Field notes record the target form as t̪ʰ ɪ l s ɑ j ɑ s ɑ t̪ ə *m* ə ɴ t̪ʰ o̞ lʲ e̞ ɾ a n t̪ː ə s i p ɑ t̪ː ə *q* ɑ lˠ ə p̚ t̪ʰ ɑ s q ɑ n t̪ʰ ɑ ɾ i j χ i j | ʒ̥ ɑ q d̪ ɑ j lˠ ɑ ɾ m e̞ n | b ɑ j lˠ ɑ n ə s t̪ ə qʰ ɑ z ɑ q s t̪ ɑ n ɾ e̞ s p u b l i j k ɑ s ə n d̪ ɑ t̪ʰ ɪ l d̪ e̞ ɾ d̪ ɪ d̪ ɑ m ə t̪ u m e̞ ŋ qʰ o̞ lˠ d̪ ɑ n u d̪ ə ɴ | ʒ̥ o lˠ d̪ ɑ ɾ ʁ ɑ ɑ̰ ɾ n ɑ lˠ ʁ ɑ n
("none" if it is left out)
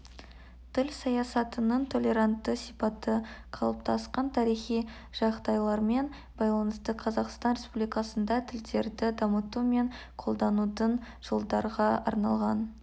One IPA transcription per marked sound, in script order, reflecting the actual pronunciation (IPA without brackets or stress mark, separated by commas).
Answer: n, qʰ